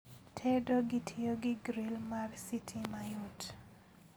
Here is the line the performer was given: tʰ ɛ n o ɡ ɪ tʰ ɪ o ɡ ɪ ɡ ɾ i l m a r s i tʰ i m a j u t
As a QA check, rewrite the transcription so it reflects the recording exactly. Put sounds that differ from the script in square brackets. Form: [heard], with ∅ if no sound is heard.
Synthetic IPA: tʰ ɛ [d] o ɡ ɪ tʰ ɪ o ɡ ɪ ɡ ɾ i l m a r s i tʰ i m a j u t